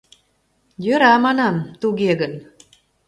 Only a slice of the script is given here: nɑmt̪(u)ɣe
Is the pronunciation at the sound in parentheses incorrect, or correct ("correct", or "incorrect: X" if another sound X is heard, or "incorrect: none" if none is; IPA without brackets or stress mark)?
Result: correct